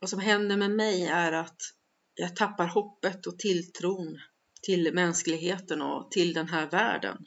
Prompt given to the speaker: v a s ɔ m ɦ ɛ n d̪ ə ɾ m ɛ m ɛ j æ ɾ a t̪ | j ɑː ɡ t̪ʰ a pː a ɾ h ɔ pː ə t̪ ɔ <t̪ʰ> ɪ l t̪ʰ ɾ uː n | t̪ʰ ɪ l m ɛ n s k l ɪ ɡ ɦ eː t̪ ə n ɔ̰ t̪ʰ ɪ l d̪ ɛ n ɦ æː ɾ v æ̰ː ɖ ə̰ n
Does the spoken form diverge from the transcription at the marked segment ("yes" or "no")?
no